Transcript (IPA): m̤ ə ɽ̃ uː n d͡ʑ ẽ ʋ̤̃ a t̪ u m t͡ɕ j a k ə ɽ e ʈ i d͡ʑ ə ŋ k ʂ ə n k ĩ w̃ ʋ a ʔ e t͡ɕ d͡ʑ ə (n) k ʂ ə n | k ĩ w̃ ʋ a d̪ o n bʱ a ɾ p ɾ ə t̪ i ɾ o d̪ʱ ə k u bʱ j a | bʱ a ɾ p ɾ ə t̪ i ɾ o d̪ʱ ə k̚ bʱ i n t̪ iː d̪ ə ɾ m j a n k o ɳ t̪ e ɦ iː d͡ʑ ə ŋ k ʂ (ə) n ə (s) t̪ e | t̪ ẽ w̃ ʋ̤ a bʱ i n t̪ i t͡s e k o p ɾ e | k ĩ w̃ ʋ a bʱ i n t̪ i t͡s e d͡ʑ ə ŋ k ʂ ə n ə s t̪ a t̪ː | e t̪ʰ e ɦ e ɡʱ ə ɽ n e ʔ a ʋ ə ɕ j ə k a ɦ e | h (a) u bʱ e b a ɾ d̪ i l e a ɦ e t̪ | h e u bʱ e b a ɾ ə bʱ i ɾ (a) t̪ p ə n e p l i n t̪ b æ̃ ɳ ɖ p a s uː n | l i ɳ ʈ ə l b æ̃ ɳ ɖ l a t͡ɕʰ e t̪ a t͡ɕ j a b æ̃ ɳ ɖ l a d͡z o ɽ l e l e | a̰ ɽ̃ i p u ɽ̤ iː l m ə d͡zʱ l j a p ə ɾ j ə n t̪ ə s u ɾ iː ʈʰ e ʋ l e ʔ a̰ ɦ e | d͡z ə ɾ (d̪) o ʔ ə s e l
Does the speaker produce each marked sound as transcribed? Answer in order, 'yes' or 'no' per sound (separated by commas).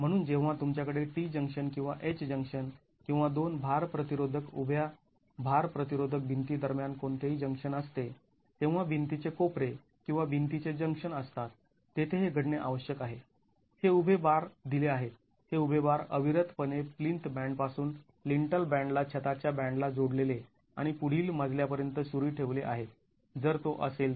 no, yes, yes, no, no, no